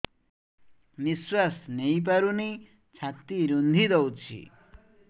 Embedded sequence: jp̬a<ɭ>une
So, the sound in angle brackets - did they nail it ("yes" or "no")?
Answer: no